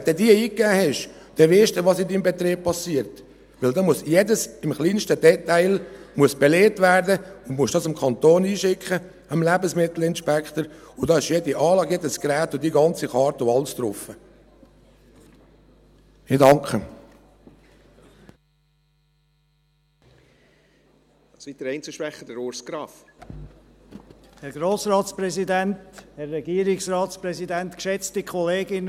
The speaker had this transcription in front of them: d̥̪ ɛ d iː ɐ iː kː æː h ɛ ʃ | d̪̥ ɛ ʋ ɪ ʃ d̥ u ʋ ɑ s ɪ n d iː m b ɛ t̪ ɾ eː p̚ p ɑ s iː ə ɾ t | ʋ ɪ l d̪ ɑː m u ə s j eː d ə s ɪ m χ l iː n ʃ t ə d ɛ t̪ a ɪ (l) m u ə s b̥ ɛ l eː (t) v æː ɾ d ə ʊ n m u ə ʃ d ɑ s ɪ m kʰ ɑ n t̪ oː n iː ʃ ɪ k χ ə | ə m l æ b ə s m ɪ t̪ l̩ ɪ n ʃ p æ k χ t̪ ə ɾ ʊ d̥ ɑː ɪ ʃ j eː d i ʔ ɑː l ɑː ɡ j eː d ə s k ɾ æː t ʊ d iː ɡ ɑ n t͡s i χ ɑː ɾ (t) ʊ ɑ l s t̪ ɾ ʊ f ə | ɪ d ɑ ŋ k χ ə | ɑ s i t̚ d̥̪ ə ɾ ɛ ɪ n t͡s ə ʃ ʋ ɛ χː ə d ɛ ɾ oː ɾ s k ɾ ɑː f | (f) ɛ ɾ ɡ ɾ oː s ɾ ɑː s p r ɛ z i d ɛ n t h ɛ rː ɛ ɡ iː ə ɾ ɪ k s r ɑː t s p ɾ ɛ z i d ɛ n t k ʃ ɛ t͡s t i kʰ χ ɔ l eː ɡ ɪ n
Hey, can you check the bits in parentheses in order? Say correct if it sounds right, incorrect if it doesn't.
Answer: correct, correct, correct, incorrect: h

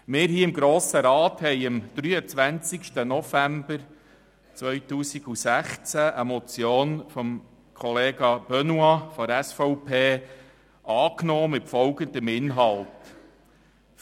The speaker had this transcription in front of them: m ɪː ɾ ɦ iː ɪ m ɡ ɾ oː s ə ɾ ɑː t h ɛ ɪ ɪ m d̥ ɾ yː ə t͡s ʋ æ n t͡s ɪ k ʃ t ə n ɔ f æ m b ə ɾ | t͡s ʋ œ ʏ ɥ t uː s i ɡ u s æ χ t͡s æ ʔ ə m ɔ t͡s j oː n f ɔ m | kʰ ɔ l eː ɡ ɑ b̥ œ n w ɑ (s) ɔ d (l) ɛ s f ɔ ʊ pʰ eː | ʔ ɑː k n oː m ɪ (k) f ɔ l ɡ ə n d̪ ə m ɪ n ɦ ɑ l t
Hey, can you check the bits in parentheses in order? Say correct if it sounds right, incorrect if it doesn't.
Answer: incorrect: f, incorrect: ɾ, incorrect: t

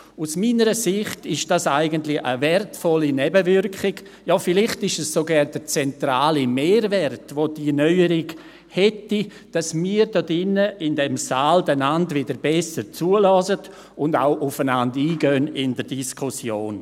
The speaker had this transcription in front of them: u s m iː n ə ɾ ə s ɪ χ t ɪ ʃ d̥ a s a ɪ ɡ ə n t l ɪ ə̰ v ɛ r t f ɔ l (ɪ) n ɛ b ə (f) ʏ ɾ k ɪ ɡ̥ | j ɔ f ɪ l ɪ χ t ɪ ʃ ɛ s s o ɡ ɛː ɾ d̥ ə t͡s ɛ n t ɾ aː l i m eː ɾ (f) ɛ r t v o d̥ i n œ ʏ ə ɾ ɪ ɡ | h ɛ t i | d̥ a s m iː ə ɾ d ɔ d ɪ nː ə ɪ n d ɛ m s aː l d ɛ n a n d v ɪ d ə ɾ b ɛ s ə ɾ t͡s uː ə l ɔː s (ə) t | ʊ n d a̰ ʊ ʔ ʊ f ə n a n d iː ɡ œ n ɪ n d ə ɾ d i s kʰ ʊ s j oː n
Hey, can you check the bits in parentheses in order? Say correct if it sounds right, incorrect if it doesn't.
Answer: incorrect: i, incorrect: v, incorrect: v, correct

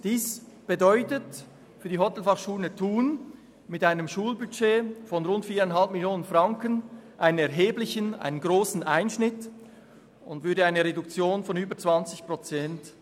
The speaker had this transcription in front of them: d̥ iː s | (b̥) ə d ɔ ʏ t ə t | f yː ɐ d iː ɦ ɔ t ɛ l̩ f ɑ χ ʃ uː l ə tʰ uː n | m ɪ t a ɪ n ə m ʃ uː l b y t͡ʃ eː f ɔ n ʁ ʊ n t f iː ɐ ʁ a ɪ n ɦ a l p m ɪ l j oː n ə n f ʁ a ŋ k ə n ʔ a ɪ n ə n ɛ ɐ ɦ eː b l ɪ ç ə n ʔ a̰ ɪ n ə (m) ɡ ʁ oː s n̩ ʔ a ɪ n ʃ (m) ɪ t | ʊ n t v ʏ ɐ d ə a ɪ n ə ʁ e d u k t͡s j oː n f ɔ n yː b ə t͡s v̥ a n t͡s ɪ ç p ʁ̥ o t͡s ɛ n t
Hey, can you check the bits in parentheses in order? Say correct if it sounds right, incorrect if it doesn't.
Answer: correct, incorrect: n, incorrect: n

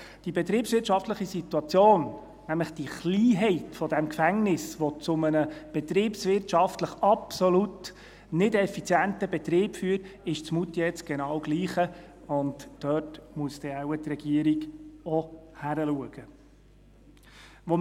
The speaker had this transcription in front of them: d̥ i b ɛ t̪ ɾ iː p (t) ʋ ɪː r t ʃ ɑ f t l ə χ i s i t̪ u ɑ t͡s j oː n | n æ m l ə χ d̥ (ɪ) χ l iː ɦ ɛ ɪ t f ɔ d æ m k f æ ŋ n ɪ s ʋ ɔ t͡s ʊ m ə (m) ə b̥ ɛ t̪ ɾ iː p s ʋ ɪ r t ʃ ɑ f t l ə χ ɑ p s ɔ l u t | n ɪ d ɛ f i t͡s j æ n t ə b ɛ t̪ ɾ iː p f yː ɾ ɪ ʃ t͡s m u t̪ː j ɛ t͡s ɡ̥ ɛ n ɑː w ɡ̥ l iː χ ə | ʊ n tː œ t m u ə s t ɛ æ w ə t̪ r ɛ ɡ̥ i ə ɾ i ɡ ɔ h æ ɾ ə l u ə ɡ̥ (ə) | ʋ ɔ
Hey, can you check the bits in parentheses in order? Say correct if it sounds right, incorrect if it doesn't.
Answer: incorrect: s, incorrect: i, incorrect: n, correct

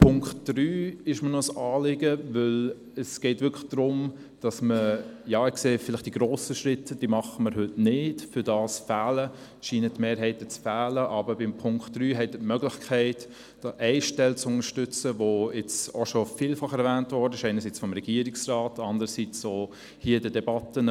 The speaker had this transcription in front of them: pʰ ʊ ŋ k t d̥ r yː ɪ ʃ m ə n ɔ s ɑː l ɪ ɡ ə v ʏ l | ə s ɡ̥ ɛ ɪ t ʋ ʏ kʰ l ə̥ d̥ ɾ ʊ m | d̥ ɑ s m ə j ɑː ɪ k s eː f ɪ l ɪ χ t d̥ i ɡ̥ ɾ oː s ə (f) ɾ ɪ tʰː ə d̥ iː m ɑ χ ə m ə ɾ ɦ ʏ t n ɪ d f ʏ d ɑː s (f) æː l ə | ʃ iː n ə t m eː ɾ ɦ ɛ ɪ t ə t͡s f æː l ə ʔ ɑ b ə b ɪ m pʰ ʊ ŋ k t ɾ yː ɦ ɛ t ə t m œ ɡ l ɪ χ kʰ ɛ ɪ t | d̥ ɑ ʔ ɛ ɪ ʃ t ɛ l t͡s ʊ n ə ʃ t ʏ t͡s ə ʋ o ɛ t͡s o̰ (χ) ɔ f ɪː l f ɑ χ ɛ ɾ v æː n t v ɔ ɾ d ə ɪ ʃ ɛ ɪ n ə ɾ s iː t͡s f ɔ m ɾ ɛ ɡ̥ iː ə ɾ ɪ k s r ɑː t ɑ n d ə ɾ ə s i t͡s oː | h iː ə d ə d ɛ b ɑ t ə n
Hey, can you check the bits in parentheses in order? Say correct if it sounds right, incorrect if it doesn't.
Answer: incorrect: ʃ, correct, incorrect: ʃ

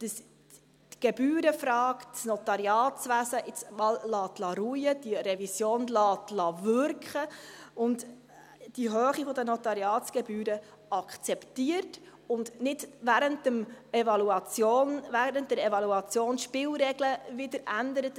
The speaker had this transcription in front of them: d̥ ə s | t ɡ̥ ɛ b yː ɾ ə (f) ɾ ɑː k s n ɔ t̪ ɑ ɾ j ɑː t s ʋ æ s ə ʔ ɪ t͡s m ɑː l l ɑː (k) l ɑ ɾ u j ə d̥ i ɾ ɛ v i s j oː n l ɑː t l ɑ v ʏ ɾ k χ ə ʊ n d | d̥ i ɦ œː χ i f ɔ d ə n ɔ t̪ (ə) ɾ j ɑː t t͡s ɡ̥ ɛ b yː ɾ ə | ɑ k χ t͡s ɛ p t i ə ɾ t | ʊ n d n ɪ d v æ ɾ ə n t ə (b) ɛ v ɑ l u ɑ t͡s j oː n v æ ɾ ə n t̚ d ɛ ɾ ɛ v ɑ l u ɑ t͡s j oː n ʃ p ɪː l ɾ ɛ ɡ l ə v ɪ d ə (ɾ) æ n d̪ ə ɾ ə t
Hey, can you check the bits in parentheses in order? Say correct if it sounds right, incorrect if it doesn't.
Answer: correct, incorrect: t, incorrect: ɑ, incorrect: m, correct

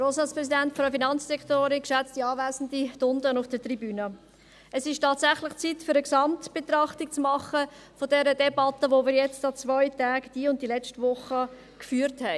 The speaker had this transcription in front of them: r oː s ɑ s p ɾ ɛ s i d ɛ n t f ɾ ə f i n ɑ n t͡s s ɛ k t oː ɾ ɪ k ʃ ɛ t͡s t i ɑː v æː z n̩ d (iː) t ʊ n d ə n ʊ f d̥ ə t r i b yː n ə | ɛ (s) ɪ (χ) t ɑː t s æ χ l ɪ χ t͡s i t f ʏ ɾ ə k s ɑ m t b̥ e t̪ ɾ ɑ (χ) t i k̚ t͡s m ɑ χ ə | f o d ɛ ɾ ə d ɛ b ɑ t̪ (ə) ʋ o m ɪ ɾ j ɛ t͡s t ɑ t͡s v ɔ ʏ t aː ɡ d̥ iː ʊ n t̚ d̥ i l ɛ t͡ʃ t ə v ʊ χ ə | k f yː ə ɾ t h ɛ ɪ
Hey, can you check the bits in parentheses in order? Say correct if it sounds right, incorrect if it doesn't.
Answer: incorrect: i, correct, incorrect: ʃ, correct, correct

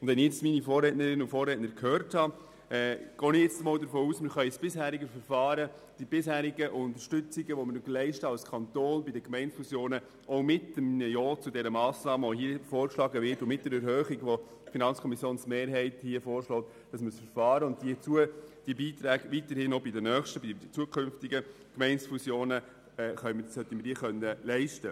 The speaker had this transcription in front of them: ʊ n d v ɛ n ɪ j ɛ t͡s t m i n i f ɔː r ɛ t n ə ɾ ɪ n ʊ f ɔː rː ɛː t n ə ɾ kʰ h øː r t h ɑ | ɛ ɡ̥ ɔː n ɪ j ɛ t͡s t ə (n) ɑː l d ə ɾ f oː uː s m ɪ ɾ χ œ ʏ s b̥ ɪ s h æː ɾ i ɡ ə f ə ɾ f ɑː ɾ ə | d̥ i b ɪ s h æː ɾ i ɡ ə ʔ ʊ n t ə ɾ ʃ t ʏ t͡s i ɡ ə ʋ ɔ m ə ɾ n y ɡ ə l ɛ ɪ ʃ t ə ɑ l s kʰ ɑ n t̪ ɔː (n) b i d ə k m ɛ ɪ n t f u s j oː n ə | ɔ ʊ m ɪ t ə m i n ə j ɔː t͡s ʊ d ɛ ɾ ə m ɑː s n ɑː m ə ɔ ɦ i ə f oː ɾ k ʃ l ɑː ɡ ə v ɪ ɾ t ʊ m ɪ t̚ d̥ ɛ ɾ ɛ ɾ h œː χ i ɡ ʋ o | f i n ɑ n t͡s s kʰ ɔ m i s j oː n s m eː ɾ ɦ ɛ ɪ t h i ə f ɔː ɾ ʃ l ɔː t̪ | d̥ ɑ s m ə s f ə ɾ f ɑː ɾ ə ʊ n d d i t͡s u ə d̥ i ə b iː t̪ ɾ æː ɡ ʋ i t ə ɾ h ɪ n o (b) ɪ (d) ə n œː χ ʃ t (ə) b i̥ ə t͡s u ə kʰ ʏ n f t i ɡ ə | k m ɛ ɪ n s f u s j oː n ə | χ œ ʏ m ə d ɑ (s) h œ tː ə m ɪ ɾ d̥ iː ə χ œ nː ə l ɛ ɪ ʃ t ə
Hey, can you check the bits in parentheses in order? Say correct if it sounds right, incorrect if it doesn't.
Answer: incorrect: m, correct, correct, correct, correct, correct

